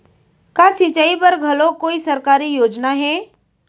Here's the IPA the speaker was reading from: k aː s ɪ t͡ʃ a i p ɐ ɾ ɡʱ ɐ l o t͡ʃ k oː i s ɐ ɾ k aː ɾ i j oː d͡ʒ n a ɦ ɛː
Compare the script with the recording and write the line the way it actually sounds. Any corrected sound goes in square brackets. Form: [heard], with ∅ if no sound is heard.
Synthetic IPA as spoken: k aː s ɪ t͡ʃ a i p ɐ ɾ ɡʱ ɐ l o [∅] k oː i s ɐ ɾ k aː ɾ i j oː d͡ʒ n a ɦ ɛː